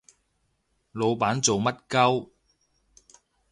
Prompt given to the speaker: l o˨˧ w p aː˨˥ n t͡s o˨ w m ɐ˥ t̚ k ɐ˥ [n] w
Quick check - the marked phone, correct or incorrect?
incorrect